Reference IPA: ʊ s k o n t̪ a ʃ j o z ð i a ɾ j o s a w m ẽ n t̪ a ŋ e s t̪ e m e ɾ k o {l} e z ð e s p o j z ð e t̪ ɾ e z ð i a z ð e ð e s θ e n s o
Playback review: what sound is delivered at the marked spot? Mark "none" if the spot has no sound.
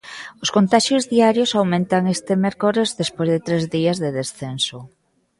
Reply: ɾ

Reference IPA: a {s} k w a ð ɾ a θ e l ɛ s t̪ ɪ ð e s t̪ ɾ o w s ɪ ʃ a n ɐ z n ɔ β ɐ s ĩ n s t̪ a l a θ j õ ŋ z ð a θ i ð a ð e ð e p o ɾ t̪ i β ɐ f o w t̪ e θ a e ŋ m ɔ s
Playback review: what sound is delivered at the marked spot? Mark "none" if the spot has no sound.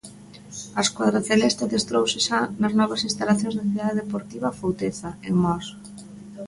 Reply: s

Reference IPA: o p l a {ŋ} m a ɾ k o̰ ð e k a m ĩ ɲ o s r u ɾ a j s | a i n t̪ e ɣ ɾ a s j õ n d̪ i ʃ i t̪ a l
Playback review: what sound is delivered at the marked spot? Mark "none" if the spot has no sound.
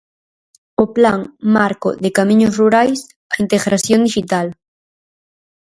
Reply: ŋ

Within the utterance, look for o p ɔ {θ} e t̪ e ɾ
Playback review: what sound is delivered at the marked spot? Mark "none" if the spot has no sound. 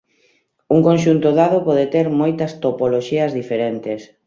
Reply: ð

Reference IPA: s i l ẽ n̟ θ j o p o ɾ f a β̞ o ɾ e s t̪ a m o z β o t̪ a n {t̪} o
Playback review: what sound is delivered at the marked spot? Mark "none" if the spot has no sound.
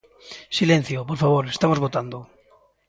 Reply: d̪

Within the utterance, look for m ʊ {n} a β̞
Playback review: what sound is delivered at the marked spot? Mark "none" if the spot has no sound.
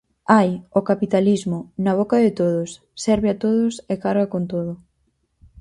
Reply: n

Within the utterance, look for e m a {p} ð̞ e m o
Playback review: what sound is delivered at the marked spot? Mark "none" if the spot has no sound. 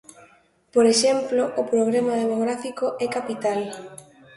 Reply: none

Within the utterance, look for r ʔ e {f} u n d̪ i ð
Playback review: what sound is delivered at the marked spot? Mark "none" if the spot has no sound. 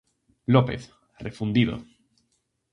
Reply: f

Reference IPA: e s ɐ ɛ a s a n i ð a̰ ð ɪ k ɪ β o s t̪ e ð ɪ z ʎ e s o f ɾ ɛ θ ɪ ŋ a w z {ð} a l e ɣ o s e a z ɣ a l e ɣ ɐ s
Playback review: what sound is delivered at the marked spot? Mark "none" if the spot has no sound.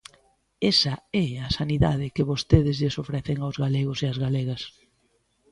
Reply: ɣ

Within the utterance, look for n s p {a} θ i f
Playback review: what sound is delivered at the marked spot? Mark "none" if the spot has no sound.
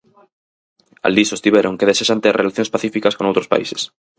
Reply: a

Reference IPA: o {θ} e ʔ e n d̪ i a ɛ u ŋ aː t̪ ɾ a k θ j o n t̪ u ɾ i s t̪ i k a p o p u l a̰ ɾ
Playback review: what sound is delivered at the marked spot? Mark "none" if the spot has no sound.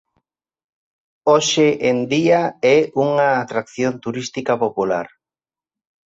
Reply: ʃ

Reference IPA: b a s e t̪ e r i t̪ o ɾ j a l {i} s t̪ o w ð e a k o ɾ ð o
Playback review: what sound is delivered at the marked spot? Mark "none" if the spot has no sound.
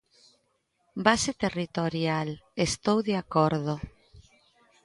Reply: e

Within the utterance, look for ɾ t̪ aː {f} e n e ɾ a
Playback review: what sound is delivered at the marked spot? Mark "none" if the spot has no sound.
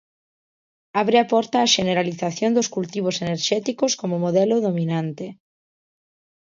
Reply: ʃ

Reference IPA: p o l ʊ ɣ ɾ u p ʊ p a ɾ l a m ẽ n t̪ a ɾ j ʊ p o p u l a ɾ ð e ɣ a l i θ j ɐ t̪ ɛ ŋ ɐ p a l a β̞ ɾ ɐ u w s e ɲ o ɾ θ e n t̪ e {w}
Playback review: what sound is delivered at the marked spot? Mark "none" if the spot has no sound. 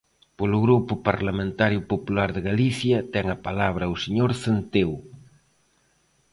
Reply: w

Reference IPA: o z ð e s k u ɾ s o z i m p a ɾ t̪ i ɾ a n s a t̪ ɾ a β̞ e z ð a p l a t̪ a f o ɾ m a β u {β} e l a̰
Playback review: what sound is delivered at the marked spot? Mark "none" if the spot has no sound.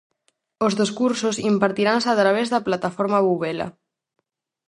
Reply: β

